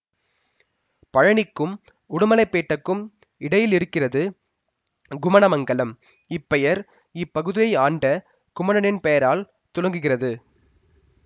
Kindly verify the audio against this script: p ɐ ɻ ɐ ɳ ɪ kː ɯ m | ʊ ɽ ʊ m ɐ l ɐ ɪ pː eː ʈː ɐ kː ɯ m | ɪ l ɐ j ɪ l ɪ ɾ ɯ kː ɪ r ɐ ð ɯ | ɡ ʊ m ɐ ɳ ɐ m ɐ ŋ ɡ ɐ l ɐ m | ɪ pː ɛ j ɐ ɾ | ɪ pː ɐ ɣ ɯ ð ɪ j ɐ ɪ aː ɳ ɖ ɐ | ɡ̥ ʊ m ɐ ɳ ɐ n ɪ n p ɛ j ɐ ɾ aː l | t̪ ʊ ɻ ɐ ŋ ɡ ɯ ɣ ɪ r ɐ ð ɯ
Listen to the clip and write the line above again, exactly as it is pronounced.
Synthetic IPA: p ɐ ɻ ɐ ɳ ɪ kː ɯ m | ʊ ɽ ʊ m ɐ l ɐ ɪ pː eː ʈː ɐ kː ɯ m | ɪ ɽ ɐ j ɪ l ɪ ɾ ɯ kː ɪ r ɐ ð ɯ | ɡ ʊ m ɐ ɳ ɐ m ɐ ŋ ɡ ɐ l ɐ m | ɪ pː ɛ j ɐ ɾ | ɪ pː ɐ ɣ ɯ ð ɪ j ɐ ɪ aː ɳ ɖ ɐ | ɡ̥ ʊ m ɐ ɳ ɐ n ɪ n p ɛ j ɐ ɾ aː l | t̪ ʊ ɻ ɐ ŋ ɡ ɯ ɣ ɪ r ɐ ð ɯ

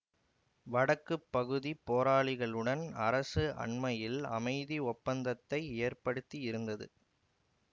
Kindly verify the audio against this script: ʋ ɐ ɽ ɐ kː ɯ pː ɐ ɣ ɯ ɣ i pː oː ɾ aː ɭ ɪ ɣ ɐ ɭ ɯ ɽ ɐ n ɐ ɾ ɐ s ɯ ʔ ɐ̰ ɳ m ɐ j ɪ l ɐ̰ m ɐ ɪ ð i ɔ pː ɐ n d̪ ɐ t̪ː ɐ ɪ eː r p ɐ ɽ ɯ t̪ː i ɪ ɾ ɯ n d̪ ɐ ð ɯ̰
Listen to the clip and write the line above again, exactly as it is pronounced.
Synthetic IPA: ʋ ɐ ɽ ɐ kː ɯ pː ɐ ɣ ɯ ð i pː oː ɾ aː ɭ ɪ ɣ ɐ ɭ ɯ ɽ ɐ n ɐ ɾ ɐ s ɯ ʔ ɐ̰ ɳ m ɐ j ɪ l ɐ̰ m ɐ ɪ ð i ɔ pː ɐ n d̪ ɐ t̪ː ɐ ɪ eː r p ɐ ɽ ɯ t̪ː i ɪ ɾ ɯ n d̪ ɐ ð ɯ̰

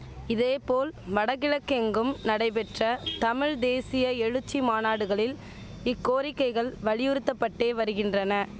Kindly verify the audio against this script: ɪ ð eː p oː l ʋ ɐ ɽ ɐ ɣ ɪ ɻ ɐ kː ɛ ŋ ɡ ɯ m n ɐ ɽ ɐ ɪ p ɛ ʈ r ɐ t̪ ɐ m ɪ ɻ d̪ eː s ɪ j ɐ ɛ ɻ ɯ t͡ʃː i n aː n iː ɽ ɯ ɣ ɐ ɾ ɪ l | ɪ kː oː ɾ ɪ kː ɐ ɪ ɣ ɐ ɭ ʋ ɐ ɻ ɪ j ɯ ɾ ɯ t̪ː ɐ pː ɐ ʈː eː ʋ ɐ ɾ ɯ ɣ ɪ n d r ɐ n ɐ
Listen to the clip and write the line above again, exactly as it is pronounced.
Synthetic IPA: ɪ ð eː p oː l ʋ ɐ ɽ ɐ ɣ ɪ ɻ ɐ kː ɛ ŋ ɡ ɯ m n ɐ ɽ ɐ ɪ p ɛ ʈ r ɐ t̪ ɐ m ɪ ɻ d̪ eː s ɪ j ɐ ɛ ɻ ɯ t͡ʃː i m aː n aː ɽ ɯ ɣ ɐ ɭ ɪ l | ɪ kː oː ɾ ɪ kː ɐ ɪ ɣ ɐ ɭ ʋ ɐ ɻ ɪ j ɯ ɾ ɯ t̪ː ɐ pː ɐ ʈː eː ʋ ɐ ɾ ɯ ɣ ɪ n d r ɐ n ɐ

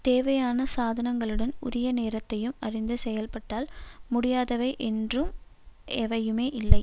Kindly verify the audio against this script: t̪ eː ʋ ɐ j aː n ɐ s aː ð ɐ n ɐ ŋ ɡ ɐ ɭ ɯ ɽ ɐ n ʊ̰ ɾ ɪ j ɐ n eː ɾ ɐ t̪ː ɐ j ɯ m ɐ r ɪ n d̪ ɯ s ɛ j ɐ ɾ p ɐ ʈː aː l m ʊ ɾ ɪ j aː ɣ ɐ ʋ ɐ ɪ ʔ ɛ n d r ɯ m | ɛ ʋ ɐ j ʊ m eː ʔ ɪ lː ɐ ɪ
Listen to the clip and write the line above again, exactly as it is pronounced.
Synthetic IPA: t̪ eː ʋ ɐ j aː n ɐ s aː ð ɐ n ɐ ŋ ɡ ɐ ɭ ɯ ɽ ɐ n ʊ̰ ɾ ɪ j ɐ n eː ɾ ɐ t̪ː ɐ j ɯ m ɐ r ɪ n d̪ ɯ s ɛ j ɐ l p ɐ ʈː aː l m ʊ ɽ ɪ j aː ð ɐ ʋ ɐ ɪ ʔ ɛ n d r ɯ m | ɛ ʋ ɐ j ɯ m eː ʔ ɪ lː ɐ ɪ

